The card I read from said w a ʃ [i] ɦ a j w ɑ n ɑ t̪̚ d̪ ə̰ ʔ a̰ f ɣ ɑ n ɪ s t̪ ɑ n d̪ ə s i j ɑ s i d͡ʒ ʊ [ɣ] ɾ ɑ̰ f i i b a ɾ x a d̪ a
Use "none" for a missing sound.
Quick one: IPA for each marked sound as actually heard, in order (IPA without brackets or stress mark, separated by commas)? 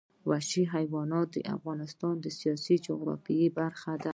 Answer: i, ɣ